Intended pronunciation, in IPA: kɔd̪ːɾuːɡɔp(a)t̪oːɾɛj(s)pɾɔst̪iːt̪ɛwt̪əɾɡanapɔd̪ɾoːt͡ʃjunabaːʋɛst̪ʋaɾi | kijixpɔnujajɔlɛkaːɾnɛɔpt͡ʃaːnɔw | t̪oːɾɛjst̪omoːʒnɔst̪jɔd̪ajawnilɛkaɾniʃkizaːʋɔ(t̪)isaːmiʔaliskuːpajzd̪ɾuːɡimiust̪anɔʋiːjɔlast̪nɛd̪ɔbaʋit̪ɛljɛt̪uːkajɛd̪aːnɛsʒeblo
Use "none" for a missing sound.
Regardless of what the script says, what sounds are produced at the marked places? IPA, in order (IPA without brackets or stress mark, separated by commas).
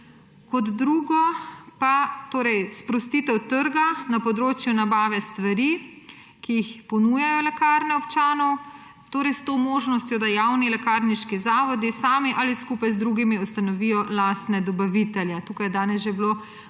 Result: a, s, d̪